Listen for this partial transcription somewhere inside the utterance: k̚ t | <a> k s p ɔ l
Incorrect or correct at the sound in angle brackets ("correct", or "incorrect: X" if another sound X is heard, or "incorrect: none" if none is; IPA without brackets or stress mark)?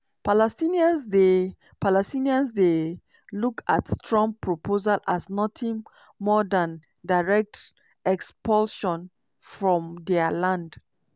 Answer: incorrect: ɛ